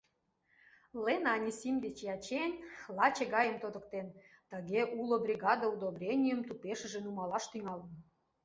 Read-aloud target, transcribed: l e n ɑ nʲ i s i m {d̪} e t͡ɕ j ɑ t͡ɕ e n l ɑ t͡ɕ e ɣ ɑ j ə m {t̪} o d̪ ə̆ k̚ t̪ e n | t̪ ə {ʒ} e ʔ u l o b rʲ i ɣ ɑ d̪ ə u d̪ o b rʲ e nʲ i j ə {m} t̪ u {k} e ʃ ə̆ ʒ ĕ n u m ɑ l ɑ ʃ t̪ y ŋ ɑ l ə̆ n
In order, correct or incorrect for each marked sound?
correct, correct, incorrect, correct, incorrect

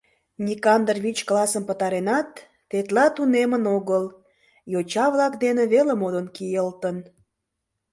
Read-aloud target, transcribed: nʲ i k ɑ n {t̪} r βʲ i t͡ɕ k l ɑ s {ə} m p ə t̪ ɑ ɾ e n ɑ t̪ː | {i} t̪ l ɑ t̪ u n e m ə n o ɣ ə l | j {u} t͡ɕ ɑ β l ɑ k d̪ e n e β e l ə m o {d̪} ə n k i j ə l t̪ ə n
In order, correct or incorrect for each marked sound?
incorrect, correct, incorrect, incorrect, correct

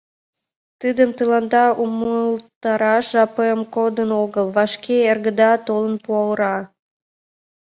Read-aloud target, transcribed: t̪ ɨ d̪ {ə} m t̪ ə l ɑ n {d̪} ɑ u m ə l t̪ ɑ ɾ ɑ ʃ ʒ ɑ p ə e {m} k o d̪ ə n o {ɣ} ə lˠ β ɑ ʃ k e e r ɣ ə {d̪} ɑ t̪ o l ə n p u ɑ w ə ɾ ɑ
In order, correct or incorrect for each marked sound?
correct, correct, correct, correct, correct

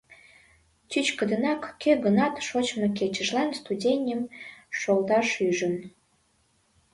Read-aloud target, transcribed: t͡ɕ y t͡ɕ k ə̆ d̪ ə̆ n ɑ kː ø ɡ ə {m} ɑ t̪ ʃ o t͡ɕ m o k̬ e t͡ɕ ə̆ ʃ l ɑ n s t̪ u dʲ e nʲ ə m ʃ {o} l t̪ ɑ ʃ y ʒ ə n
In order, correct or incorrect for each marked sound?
incorrect, correct

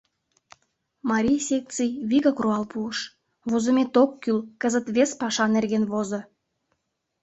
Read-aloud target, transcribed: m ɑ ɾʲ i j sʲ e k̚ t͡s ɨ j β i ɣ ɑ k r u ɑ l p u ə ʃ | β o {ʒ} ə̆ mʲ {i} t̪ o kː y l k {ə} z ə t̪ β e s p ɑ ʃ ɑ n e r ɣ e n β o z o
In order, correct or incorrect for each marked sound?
incorrect, incorrect, correct

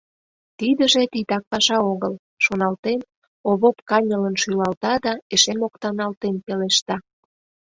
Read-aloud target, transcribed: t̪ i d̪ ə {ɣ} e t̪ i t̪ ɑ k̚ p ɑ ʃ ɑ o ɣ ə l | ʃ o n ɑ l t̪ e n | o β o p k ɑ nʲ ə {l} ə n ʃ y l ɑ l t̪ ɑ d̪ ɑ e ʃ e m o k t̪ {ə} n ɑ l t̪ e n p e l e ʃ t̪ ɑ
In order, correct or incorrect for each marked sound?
incorrect, correct, incorrect

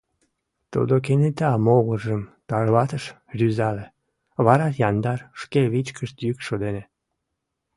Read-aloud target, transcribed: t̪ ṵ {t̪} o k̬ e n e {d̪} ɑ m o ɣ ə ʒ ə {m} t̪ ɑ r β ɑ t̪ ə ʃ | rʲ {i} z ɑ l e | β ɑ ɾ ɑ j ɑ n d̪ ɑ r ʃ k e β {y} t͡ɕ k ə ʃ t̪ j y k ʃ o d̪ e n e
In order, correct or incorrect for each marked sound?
incorrect, incorrect, correct, incorrect, incorrect

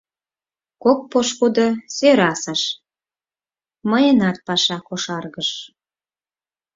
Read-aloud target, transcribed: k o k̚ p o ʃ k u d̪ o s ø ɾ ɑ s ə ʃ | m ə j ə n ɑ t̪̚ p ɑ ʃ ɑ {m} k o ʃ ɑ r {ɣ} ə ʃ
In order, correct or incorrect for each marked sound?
incorrect, correct

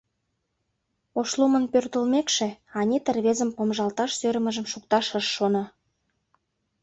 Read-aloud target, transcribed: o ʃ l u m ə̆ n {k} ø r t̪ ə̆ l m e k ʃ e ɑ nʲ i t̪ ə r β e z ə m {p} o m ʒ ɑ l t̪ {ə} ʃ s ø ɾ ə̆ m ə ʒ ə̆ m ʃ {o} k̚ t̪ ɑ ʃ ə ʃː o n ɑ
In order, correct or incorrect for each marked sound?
incorrect, correct, incorrect, incorrect

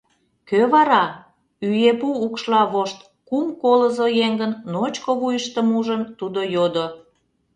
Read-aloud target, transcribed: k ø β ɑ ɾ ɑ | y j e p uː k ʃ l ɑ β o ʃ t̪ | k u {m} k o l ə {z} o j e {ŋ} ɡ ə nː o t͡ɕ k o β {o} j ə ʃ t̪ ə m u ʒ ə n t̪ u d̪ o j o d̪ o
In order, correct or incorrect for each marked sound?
correct, correct, correct, incorrect

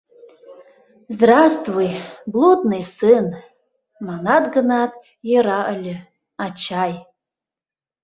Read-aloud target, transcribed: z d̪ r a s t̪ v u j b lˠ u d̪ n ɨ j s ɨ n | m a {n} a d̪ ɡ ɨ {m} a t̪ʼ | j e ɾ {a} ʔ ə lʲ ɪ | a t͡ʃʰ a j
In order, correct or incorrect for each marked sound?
correct, incorrect, correct

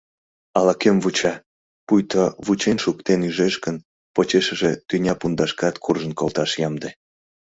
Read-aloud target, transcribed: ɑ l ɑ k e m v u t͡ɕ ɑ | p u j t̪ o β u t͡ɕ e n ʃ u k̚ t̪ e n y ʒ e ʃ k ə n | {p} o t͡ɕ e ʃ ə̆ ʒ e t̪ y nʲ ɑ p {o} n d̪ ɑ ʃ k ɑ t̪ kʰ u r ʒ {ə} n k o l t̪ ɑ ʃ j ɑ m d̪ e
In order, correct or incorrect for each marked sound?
correct, incorrect, correct

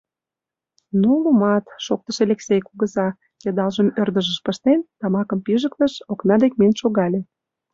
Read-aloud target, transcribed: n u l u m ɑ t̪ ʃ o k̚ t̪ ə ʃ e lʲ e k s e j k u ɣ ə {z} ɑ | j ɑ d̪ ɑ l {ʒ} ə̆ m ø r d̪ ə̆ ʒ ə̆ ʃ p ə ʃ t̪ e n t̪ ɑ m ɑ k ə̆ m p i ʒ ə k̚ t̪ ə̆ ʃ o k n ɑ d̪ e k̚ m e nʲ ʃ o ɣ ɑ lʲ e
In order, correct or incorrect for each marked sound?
correct, correct

